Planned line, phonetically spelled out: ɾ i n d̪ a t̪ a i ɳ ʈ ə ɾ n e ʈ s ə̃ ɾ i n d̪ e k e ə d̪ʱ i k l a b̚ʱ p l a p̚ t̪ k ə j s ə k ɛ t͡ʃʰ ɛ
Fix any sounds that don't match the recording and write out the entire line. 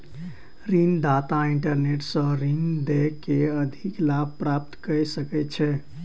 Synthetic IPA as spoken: ɾ i n d̪ a t̪ a i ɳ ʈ ə ɾ n e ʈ s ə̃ ɾ i n d̪ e k e ə d̪ʱ i k l a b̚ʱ p ɾ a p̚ t̪ k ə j s ə k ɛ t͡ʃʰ ɛ